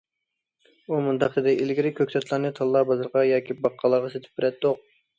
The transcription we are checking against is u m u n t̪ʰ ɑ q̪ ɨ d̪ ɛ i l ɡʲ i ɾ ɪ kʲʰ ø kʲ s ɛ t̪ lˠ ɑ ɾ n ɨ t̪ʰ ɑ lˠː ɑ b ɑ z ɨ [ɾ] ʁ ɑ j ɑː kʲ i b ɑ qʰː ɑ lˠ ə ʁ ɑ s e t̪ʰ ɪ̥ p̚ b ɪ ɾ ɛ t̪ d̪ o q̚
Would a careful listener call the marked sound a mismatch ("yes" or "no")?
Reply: no